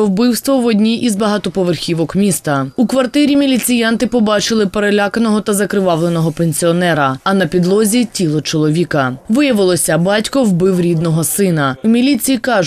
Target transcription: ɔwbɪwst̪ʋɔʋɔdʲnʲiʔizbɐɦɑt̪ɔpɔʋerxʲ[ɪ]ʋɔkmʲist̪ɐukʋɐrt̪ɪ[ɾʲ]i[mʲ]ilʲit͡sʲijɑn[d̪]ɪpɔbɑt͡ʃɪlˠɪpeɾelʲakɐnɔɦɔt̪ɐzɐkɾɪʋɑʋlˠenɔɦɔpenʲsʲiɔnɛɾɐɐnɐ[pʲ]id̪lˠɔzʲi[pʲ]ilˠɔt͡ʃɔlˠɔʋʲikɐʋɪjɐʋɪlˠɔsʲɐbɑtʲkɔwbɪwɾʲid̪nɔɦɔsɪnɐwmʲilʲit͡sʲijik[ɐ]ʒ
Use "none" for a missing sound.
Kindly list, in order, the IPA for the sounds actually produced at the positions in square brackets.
i, ɾʲ, mʲ, t̪, pʲ, tʲ, ɑ

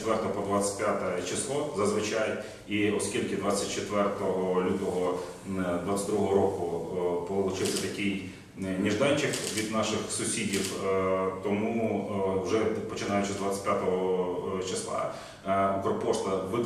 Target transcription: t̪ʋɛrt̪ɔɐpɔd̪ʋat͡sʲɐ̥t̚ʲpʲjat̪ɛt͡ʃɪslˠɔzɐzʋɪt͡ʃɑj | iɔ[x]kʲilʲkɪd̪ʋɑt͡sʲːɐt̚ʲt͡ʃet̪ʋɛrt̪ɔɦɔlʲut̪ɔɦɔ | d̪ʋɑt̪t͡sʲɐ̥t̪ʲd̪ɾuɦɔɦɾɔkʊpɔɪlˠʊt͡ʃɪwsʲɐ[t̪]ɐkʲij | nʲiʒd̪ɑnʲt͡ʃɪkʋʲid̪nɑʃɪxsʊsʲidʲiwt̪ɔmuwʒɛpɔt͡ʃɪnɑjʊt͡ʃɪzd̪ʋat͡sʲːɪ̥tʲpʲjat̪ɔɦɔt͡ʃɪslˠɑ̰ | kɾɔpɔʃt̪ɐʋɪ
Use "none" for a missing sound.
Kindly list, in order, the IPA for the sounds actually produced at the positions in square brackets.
s, t̪

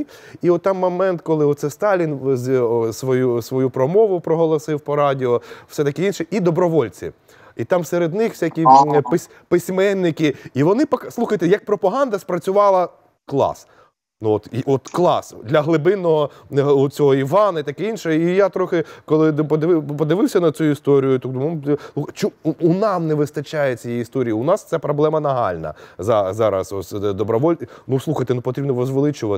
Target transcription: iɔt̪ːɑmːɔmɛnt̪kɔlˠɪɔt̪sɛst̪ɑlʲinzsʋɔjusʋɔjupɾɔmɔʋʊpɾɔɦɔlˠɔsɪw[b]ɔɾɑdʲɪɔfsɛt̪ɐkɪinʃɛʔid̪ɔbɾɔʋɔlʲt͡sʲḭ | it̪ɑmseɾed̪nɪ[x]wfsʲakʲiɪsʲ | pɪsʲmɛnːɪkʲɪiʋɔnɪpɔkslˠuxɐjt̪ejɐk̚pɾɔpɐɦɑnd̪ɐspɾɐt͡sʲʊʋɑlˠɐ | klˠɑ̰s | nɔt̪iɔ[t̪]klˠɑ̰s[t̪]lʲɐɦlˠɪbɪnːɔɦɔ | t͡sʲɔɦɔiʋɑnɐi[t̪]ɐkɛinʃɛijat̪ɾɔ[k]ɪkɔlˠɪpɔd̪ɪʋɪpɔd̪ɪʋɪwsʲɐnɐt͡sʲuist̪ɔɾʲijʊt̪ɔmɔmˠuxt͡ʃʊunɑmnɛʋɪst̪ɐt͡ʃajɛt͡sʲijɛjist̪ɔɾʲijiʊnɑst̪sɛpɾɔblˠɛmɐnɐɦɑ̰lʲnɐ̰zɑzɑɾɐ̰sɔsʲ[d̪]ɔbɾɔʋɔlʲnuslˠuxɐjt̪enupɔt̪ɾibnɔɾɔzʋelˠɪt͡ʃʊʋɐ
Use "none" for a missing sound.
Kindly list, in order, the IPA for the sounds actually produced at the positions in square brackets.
p, x, t̪, d̪, t̪, x, d̪

